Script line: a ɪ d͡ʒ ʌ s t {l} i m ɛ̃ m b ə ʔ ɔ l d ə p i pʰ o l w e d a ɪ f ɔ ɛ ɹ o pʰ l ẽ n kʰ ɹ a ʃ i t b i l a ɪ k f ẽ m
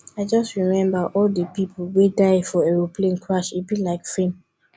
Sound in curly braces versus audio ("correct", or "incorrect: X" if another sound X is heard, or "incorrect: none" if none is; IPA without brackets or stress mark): incorrect: ɹ